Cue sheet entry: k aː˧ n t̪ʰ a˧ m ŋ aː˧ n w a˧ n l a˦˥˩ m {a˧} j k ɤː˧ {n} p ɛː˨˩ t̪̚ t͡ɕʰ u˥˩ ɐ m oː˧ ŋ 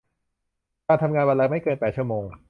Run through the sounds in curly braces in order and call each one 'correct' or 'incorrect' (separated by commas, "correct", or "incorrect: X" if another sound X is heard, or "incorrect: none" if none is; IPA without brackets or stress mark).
incorrect: a˥˩, correct